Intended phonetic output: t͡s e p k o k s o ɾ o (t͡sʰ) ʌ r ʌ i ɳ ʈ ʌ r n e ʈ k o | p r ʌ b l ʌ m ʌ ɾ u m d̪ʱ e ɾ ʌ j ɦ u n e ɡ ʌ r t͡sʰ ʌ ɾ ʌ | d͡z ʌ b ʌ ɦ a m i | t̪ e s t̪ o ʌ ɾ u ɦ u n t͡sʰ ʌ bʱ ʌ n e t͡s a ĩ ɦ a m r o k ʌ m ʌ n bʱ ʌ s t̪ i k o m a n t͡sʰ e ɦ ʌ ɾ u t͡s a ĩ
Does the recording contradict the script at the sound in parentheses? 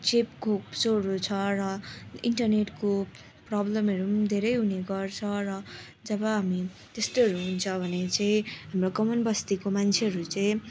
no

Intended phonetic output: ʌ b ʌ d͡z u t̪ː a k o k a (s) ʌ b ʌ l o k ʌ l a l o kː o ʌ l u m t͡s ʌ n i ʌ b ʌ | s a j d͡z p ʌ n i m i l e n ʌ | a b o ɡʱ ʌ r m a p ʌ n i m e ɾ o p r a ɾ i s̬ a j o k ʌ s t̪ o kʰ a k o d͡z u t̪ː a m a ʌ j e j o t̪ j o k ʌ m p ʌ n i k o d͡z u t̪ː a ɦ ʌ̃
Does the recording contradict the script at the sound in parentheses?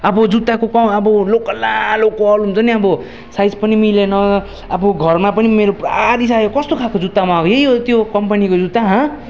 yes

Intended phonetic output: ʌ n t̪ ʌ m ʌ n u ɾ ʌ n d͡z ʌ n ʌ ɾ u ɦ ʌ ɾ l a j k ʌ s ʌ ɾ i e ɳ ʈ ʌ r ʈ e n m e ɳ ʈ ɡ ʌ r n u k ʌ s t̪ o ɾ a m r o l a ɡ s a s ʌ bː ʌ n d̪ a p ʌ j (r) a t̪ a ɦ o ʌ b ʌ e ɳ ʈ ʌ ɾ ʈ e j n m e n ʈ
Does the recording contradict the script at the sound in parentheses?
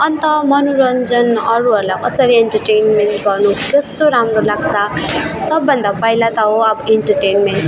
yes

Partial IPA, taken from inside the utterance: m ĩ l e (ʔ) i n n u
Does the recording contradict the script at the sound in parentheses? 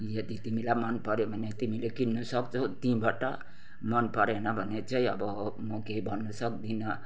yes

